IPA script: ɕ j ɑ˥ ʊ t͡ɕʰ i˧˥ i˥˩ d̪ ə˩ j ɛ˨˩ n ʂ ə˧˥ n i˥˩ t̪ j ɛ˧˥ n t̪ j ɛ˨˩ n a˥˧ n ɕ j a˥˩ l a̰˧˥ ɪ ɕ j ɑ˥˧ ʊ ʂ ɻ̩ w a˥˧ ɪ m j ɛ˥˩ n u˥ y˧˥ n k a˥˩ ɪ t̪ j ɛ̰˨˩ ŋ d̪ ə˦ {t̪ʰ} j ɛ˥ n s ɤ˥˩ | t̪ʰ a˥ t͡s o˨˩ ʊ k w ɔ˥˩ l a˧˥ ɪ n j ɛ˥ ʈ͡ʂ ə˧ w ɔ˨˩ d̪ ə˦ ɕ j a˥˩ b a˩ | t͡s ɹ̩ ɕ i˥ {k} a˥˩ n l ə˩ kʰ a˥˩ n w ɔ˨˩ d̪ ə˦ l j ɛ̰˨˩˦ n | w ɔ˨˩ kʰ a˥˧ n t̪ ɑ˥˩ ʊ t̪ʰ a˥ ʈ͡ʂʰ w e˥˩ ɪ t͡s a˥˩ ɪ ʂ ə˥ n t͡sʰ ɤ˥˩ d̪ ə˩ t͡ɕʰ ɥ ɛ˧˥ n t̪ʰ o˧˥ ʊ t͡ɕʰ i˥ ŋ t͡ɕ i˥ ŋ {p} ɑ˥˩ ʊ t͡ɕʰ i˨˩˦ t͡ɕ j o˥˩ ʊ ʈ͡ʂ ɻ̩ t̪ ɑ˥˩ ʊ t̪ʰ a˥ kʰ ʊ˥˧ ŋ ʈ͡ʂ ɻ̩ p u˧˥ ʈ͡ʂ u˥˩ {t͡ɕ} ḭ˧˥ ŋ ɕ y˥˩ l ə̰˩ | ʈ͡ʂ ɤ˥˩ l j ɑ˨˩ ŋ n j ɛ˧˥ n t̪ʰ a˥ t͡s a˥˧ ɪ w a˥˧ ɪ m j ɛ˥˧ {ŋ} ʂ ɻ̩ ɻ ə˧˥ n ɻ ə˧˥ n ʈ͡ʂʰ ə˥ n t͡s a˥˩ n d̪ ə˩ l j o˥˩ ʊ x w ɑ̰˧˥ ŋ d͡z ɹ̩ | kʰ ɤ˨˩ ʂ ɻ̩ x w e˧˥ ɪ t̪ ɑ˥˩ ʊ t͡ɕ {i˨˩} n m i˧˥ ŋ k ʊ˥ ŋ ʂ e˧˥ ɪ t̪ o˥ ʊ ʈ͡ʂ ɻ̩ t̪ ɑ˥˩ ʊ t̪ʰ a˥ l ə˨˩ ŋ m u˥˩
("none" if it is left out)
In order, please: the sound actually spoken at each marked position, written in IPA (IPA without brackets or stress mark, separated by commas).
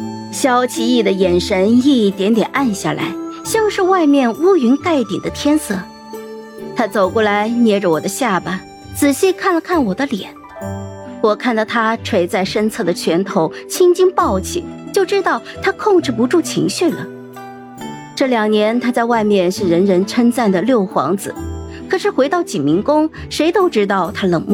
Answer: t̪ʰ, kʰ, p, t͡ɕʰ, n, i˨˩